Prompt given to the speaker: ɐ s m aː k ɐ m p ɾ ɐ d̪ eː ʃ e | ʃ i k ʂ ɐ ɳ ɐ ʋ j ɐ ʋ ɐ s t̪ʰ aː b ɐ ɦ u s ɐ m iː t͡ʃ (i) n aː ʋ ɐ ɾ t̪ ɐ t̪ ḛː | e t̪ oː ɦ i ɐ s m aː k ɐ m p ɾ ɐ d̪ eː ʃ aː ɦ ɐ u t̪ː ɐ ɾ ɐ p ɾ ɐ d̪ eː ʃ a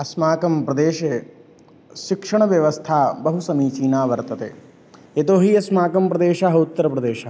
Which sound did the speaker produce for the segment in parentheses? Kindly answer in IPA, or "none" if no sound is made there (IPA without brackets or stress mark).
iː